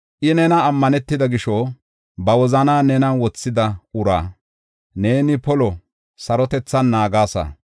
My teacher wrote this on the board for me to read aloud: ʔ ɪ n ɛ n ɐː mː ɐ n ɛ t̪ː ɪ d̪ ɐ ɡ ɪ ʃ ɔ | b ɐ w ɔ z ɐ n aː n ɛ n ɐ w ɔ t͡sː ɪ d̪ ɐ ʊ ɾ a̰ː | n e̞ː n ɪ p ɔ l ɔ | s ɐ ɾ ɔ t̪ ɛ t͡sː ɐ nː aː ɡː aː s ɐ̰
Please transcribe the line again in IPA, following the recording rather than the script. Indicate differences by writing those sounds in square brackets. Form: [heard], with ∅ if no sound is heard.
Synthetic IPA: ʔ ɪ n ɛ n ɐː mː ɐ n ɛ t̪ː ɪ d̪ ɐ ɡ ɪ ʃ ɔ | b ɐ w ɔ z ɐ n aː n ɛ n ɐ w ɔ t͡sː ɪ d̪ ɐ ʊ ɾ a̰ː | n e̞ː n ɪ p ɔ l ɔ | s ɐ ɾ ɔ t̪ ɛ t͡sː ɐ nː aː [ɡ] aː s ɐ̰